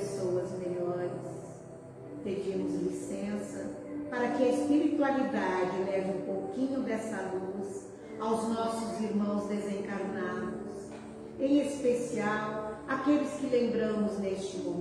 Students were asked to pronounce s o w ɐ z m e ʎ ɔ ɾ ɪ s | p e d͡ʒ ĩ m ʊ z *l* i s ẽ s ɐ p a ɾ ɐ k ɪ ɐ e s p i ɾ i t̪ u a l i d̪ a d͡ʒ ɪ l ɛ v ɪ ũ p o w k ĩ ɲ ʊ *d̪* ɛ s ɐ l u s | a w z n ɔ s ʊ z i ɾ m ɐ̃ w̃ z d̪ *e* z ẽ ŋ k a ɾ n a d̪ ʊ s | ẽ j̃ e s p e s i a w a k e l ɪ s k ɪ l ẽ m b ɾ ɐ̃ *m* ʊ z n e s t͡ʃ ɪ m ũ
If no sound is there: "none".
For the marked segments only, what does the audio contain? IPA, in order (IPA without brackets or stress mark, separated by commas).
l, d̪, e, m